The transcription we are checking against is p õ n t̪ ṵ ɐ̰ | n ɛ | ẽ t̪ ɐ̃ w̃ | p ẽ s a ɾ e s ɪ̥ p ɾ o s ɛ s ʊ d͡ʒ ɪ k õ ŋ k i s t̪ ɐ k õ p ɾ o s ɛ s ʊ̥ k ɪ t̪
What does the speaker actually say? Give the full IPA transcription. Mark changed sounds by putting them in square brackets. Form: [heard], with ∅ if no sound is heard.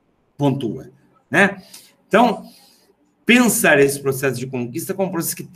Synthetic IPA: p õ n t̪ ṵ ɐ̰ | n ɛ | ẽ t̪ ɐ̃ w̃ | p ẽ s a ɾ e s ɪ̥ p ɾ o s ɛ s ʊ d͡ʒ ɪ k õ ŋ k i s t̪ ɐ k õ p ɾ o s ɛ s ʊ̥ k ɪ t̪